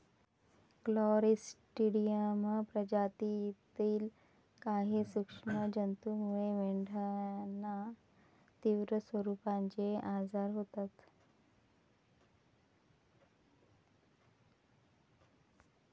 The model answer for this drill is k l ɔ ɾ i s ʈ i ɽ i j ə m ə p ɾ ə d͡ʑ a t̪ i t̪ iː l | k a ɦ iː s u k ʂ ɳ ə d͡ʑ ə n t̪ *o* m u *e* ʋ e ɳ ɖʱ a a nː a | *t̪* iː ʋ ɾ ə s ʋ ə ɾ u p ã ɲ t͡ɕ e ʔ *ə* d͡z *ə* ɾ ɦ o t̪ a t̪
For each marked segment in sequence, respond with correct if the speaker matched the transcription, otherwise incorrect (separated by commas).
incorrect, correct, correct, incorrect, incorrect